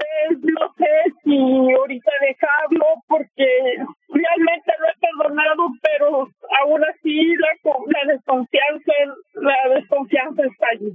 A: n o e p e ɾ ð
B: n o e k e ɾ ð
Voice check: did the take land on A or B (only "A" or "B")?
A